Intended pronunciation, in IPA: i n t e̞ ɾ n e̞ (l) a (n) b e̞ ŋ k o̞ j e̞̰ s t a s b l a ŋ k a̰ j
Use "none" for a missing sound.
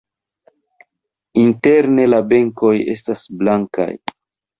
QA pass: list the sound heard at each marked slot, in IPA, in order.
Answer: l, none

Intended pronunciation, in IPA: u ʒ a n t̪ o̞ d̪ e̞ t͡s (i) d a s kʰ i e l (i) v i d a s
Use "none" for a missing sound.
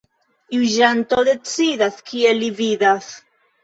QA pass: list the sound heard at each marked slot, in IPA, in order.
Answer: i, i

